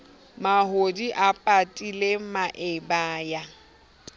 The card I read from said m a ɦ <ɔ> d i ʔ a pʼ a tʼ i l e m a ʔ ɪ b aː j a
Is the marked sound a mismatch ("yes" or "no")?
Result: yes